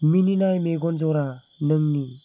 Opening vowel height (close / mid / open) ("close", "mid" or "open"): close